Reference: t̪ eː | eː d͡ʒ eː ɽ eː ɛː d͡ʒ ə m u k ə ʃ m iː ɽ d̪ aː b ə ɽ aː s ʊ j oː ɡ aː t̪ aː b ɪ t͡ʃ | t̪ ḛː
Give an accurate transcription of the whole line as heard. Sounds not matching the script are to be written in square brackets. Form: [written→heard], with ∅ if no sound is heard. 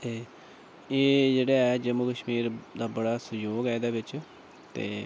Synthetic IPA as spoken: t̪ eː | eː d͡ʒ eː ɽ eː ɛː d͡ʒ ə m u k ə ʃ m iː [ɽ→ɾ] d̪ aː b ə ɽ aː s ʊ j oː ɡ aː [t̪→d̪] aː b ɪ t͡ʃ | t̪ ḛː